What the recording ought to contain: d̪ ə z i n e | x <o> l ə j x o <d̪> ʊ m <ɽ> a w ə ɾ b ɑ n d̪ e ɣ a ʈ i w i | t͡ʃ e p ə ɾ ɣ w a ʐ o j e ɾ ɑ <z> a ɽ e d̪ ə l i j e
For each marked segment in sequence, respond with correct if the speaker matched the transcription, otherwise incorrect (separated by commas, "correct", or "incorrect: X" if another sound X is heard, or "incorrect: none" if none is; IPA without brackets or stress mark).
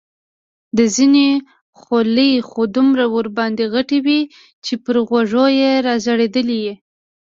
correct, correct, incorrect: ɾ, correct